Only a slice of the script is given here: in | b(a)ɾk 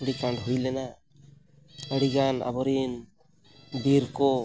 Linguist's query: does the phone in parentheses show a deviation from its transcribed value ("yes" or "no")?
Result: yes